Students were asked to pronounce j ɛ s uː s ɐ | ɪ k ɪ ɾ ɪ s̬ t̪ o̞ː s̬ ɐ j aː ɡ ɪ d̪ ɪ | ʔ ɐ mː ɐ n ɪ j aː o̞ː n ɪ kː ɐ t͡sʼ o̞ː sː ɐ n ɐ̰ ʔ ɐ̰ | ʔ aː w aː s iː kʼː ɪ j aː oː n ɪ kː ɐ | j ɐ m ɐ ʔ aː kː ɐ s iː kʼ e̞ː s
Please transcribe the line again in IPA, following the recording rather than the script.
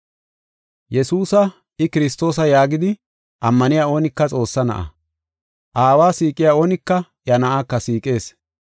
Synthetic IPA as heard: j ɛ s uː s ɐ | ɪ k ɪ ɾ ɪ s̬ t̪ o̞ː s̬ ɐ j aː ɡ ɪ d̪ ɪ | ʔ ɐ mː ɐ n ɪ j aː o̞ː n ɪ kː ɐ t͡sʼ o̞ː sː ɐ n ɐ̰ ʔ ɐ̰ | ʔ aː w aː s iː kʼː ɪ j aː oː n ɪ kː ɐ | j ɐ n ɐ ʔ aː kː ɐ s iː kʼ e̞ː s